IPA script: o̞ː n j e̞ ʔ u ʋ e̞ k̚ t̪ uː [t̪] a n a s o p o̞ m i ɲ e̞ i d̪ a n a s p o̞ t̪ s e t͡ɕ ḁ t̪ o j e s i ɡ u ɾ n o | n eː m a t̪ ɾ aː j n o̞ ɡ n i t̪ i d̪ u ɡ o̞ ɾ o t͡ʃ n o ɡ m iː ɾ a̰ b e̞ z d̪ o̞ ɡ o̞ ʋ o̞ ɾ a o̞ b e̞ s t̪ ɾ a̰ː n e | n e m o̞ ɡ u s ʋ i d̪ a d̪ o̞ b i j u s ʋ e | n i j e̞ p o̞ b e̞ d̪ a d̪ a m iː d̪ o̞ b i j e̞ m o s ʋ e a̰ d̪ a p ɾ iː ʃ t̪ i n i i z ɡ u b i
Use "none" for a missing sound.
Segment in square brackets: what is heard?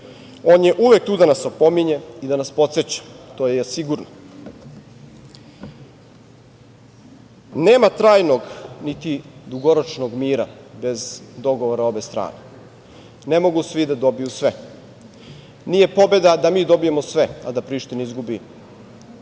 d̪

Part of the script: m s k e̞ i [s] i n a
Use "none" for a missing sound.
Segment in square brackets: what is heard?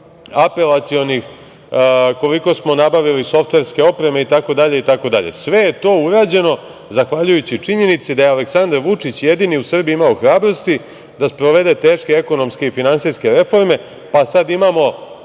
f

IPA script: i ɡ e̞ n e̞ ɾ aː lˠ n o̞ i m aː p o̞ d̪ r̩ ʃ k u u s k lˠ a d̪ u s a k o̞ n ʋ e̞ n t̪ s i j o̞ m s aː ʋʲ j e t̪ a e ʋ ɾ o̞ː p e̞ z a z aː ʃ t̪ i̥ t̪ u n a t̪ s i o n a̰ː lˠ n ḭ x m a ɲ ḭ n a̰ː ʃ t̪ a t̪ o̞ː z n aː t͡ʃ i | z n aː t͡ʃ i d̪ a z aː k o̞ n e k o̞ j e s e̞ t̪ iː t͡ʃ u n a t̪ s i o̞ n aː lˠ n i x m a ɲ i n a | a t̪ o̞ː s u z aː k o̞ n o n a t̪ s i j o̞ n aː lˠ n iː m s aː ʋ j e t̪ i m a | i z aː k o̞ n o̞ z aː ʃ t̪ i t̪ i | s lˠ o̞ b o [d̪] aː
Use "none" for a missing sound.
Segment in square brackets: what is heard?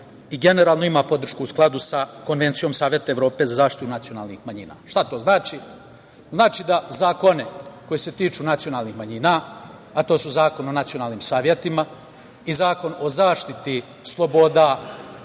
d̪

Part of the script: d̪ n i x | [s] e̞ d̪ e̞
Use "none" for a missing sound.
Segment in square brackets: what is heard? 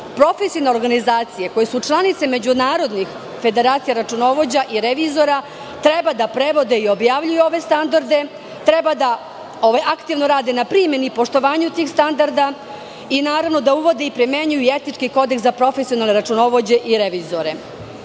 f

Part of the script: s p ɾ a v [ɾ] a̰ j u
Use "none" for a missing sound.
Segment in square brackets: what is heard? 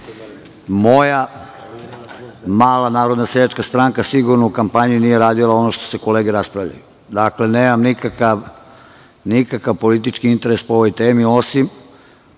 ʎ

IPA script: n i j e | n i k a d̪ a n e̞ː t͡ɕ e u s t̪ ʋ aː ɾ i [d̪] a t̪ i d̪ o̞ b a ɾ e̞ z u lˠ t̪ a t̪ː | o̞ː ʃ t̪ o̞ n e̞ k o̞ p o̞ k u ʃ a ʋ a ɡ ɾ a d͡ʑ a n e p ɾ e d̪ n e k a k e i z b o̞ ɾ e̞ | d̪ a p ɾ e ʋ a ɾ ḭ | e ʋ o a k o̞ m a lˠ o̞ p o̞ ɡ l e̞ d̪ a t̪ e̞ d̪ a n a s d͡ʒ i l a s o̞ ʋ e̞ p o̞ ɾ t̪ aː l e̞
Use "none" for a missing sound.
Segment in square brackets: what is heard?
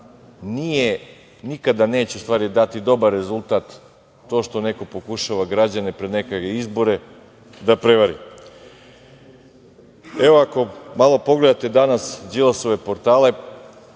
d̪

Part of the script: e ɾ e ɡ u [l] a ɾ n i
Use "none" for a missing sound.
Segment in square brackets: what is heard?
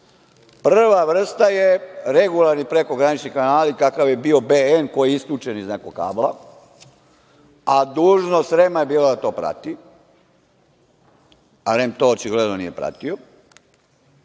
l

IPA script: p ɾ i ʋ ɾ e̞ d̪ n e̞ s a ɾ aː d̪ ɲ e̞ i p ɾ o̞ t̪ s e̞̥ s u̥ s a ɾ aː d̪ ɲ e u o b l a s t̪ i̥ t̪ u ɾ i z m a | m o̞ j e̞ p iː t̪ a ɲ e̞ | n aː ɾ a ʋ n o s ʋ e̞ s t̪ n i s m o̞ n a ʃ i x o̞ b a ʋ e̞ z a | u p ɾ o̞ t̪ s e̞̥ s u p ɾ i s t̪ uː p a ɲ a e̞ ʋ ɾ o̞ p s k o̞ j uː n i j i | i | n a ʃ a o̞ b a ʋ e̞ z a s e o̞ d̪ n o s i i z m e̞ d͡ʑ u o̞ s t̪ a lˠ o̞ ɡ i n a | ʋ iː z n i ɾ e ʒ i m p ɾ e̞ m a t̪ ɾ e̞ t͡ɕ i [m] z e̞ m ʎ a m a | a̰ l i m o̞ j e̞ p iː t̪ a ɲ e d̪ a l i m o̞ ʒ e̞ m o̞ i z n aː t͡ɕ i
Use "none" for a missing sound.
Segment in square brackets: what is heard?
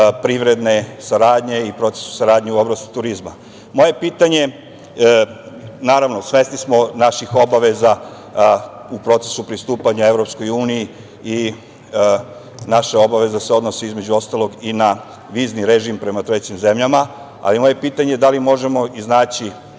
m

